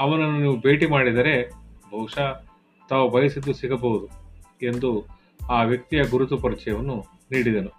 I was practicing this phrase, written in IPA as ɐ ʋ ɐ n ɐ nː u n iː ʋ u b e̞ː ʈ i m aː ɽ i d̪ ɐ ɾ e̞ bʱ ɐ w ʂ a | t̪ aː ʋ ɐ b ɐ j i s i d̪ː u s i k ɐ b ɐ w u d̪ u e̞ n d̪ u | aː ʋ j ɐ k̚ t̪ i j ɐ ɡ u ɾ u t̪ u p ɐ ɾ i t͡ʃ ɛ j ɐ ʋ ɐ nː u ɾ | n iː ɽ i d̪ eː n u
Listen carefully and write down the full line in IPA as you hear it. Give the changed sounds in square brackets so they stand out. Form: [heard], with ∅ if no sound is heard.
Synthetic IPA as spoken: ɐ ʋ ɐ n ɐ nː u n iː ʋ u b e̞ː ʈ i m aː ɽ i d̪ ɐ ɾ e̞ bʱ ɐ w ʂ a | t̪ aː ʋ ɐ b ɐ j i s i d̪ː u s i [ɡ] ɐ b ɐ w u d̪ u e̞ n d̪ u | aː ʋ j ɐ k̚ t̪ i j ɐ ɡ u ɾ u t̪ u p ɐ ɾ i t͡ʃ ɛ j ɐ ʋ ɐ nː u [∅] | n iː ɽ i d̪ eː n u